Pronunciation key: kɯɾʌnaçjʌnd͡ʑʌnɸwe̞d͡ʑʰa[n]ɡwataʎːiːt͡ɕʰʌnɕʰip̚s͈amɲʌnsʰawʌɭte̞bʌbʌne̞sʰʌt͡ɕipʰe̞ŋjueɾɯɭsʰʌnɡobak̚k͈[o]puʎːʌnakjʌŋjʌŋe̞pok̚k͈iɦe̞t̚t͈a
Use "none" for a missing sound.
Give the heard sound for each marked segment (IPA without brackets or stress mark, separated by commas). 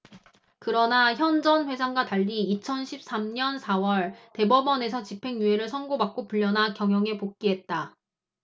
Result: ŋ, o